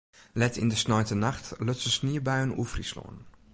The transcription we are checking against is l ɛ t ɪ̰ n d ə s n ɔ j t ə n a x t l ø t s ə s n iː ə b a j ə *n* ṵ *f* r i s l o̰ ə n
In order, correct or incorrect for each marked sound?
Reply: correct, correct

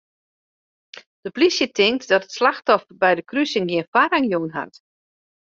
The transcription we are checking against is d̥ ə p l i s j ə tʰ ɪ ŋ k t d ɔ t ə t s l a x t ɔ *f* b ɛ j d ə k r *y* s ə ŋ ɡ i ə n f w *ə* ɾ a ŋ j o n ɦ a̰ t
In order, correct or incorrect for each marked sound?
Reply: correct, correct, incorrect: a

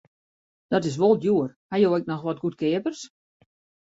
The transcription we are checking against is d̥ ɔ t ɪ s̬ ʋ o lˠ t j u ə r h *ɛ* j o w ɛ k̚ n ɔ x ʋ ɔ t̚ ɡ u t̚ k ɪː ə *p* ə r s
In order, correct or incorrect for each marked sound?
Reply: incorrect: a, correct

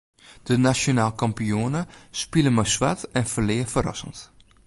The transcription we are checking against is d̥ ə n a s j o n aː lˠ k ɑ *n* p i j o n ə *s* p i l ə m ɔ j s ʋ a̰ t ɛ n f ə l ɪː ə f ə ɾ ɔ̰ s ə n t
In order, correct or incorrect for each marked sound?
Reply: incorrect: m, correct

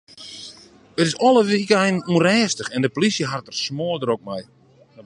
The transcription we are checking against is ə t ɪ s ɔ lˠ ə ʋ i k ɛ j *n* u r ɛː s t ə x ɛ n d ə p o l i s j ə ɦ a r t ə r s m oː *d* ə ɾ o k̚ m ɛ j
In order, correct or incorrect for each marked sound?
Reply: correct, correct

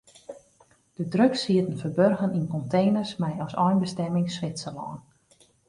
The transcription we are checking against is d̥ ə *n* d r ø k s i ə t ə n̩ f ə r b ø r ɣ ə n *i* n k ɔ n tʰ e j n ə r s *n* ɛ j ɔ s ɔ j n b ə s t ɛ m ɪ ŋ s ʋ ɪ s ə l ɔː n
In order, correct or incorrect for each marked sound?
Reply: incorrect: none, correct, incorrect: m

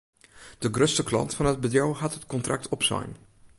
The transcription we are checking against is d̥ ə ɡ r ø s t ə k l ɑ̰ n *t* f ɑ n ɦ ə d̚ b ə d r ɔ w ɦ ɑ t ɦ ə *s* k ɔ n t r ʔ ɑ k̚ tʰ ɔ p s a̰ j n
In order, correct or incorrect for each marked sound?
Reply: correct, incorrect: t

